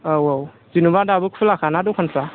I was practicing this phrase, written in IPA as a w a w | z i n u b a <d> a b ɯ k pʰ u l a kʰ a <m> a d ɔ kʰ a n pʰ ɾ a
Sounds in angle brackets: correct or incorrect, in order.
correct, incorrect: n

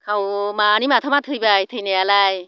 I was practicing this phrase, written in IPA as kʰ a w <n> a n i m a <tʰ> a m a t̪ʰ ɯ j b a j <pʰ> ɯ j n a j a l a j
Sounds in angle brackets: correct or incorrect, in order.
incorrect: m, correct, incorrect: tʰ

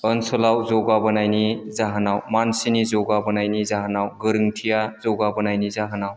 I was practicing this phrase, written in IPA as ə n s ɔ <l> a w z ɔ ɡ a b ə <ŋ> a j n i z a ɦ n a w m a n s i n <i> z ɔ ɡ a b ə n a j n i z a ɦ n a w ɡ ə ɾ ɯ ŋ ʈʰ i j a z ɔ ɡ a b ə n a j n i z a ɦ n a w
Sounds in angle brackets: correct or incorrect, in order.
correct, incorrect: n, correct

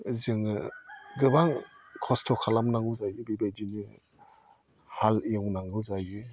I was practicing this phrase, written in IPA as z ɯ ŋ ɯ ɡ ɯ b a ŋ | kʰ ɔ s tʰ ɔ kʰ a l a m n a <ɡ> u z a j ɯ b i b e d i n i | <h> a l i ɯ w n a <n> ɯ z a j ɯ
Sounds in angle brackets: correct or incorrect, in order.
incorrect: ŋ, correct, incorrect: ŋ

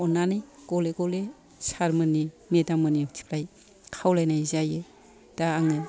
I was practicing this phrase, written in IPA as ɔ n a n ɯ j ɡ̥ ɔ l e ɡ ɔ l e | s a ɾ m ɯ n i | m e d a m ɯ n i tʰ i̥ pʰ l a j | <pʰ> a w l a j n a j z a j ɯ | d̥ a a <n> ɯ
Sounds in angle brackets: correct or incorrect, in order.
incorrect: kʰ, incorrect: ŋ

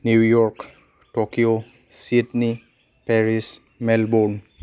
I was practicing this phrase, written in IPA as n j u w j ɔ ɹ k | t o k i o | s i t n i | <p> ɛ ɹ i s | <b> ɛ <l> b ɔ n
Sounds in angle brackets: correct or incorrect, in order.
correct, incorrect: m, correct

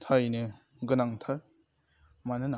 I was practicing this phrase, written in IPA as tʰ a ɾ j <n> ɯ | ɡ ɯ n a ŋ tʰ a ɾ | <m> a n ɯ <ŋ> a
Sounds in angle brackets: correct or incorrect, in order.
correct, correct, incorrect: n

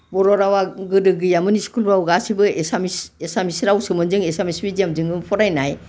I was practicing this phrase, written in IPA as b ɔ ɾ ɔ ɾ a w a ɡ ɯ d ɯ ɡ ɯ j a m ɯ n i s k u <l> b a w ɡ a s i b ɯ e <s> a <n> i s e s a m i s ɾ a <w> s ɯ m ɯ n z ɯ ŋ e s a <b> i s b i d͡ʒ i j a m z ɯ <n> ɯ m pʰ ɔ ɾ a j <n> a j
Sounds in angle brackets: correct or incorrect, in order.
correct, correct, incorrect: m, correct, incorrect: m, incorrect: ŋ, correct

